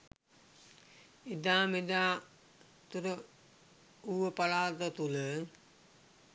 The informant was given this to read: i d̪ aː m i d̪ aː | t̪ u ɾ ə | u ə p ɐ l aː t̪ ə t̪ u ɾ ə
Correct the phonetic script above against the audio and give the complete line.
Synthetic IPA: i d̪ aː m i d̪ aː | t̪ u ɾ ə | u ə p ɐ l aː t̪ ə t̪ u l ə